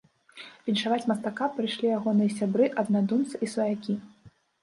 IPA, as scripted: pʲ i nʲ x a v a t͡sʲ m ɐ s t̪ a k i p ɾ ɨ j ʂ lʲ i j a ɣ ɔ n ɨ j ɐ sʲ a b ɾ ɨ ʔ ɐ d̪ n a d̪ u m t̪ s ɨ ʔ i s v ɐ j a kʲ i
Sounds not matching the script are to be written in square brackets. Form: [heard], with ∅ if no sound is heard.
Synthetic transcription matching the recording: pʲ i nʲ [ʂ] a v a t͡sʲ m ɐ s t̪ a k [a] p ɾ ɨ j ʂ lʲ i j a ɣ ɔ n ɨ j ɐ sʲ a b ɾ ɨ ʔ ɐ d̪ n a d̪ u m t̪ s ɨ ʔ i s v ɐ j a kʲ i